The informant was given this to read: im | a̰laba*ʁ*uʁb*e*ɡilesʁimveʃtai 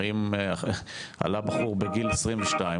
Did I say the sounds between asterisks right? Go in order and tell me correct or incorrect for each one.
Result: incorrect: χ, correct

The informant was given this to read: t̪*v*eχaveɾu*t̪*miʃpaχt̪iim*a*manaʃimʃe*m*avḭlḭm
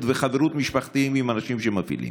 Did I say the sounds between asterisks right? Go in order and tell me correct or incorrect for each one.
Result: correct, correct, incorrect: i, correct

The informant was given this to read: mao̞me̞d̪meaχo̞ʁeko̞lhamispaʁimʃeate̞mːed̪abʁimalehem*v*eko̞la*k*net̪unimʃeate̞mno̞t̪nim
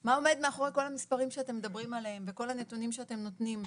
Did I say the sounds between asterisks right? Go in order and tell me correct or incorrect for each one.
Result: correct, incorrect: none

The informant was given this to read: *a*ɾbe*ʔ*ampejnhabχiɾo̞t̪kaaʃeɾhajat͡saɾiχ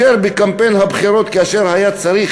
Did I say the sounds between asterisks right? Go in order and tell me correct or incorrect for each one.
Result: incorrect: e, incorrect: k

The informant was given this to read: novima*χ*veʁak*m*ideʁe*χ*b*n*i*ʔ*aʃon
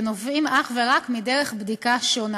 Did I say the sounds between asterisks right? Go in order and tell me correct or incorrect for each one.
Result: correct, correct, correct, incorrect: d, incorrect: k

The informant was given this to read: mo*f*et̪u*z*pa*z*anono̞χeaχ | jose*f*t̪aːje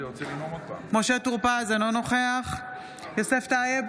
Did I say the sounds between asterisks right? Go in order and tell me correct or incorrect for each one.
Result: incorrect: ʃ, incorrect: ʁ, correct, correct

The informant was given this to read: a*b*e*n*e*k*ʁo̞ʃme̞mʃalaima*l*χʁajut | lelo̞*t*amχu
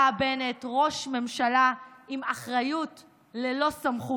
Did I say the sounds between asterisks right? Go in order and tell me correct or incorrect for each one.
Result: correct, correct, incorrect: t, incorrect: none, incorrect: s

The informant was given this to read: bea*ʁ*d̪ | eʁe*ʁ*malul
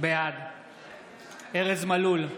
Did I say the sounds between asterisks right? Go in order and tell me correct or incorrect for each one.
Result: incorrect: none, incorrect: z

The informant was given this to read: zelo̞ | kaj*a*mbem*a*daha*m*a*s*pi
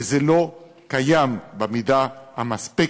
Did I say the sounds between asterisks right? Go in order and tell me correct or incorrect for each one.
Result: correct, incorrect: i, correct, correct

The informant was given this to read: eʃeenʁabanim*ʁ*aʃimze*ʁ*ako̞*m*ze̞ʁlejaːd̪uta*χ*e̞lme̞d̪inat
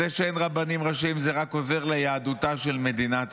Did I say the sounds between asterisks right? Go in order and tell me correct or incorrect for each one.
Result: correct, correct, incorrect: none, incorrect: ʃ

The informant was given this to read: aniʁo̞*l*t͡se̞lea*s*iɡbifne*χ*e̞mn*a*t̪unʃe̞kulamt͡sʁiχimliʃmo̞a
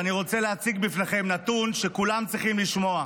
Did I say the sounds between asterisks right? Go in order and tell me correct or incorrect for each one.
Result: incorrect: none, incorrect: t͡s, correct, correct

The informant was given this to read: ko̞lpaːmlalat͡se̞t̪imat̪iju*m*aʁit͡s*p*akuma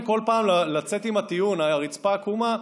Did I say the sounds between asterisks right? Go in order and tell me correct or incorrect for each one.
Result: incorrect: n, correct

